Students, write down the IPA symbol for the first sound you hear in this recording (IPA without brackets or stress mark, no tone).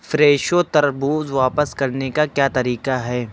f